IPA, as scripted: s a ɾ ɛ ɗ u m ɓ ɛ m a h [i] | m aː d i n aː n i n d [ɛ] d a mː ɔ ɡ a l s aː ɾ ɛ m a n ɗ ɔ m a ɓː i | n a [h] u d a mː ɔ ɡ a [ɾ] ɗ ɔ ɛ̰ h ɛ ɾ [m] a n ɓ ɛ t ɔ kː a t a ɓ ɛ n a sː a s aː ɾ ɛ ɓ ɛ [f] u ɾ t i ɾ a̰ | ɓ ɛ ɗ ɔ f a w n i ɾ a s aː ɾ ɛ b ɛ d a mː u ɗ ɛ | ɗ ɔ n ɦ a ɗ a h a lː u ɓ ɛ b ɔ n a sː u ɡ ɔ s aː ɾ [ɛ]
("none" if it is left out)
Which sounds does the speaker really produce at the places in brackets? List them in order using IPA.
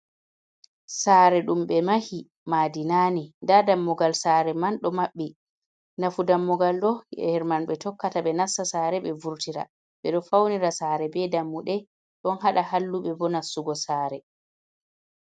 i, a, f, l, m, v, ɛ

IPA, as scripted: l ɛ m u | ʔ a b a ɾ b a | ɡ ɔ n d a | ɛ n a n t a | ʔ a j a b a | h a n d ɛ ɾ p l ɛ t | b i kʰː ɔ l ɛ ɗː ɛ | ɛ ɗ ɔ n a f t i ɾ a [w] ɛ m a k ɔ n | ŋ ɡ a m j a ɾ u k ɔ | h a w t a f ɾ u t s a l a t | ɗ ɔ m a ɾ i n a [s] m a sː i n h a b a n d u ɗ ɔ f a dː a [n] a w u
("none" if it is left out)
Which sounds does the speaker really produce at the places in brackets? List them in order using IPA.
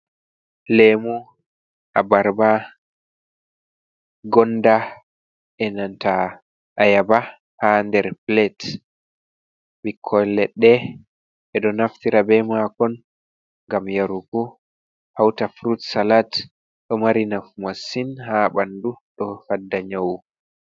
b, f, ɲ

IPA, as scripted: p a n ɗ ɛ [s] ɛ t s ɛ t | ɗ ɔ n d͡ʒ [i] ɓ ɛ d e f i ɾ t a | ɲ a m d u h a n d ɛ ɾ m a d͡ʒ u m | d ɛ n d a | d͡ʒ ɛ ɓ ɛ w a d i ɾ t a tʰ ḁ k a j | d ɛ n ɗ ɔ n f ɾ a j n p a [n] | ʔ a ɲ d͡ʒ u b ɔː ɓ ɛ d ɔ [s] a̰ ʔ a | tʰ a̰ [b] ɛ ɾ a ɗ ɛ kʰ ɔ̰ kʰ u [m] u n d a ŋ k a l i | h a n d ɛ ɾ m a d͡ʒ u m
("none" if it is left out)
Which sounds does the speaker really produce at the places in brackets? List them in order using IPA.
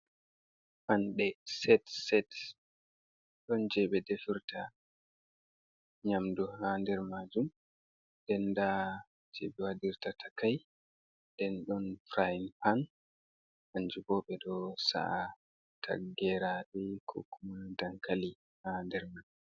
s, ɛ, n, s, ɡ, m

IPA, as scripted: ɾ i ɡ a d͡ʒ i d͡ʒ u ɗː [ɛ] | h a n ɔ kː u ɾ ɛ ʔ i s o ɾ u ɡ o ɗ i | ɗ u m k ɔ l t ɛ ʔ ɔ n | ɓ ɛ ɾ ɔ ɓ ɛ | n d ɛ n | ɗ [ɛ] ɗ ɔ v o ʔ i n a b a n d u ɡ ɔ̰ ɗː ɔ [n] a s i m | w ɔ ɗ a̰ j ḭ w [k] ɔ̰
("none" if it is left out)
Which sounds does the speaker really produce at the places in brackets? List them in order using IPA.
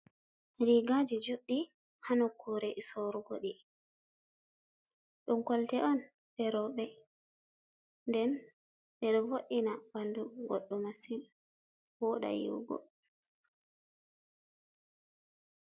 i, ɛ, m, ɡ

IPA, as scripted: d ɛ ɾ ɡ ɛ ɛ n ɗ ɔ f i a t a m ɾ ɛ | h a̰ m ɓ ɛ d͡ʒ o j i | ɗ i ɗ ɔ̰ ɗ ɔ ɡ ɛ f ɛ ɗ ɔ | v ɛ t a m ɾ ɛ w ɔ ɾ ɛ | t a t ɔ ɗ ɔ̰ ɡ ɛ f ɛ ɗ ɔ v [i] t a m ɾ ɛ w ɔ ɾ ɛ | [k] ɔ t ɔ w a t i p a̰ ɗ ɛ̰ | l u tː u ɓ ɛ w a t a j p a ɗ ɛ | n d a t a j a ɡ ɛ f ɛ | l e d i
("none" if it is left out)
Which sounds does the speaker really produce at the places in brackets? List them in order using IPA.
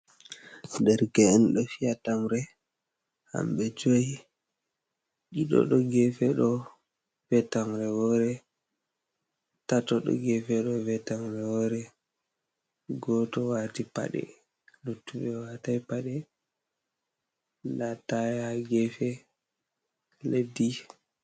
ɛ, ɡ

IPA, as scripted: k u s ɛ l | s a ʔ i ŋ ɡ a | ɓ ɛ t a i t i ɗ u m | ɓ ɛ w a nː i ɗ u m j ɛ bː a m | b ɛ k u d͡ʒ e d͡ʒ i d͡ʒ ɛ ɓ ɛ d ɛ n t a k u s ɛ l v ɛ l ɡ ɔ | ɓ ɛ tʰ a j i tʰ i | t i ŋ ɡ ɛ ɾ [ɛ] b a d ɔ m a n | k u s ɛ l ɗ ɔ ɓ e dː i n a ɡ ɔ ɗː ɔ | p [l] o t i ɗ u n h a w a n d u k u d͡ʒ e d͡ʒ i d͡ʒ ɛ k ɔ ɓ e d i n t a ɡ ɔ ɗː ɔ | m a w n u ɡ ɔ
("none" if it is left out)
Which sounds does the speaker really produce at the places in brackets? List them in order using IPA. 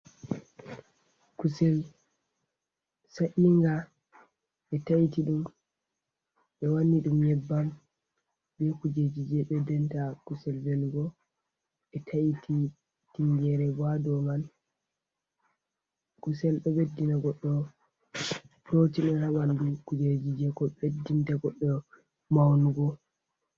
ɛ, ɾ

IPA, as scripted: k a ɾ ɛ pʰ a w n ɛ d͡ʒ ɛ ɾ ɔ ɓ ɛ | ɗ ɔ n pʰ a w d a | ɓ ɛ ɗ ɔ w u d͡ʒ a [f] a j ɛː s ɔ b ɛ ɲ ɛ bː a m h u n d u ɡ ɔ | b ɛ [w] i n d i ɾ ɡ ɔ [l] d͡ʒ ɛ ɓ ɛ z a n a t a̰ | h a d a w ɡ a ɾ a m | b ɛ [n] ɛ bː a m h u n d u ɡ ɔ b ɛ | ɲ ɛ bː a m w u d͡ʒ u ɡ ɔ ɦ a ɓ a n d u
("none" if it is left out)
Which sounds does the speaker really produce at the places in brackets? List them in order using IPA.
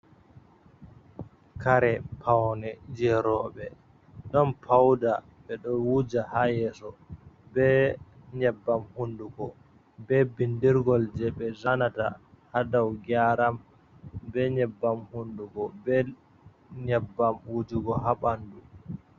h, b, l, ɲ

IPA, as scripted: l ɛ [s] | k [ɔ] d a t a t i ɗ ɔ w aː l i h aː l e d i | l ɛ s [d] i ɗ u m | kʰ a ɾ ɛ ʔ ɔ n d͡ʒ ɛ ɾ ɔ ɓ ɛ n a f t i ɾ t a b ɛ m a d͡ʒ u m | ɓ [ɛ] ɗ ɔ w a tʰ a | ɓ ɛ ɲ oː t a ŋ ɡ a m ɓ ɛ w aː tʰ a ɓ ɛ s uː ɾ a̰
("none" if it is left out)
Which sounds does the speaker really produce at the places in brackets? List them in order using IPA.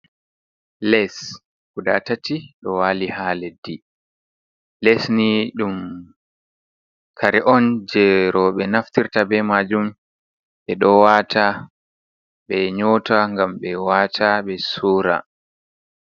s, u, n, ɛ

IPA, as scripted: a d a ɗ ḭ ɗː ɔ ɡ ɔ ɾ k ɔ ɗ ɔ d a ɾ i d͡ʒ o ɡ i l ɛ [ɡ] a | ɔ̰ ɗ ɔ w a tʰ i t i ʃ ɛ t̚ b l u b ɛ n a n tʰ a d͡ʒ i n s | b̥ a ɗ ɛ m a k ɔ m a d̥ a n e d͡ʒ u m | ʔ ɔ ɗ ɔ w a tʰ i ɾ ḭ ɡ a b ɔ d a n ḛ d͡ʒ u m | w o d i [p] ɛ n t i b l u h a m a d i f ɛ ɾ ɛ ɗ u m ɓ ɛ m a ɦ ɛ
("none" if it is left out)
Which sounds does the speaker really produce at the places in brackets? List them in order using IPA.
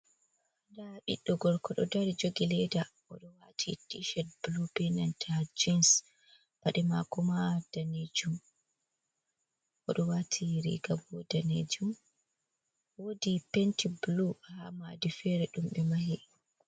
d, p

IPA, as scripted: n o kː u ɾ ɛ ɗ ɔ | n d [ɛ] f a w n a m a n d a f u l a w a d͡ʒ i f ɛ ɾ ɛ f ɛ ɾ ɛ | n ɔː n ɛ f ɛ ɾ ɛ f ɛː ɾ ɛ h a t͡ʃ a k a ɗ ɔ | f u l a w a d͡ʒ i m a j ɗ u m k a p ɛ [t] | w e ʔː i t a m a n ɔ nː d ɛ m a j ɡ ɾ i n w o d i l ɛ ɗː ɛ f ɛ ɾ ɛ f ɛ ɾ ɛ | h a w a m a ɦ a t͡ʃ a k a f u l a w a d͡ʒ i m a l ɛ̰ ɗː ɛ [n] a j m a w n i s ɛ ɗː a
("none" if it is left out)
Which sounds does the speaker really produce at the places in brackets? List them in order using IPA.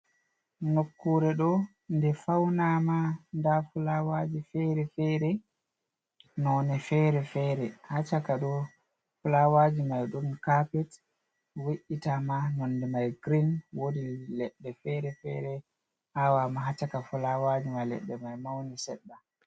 ɛ, t, m

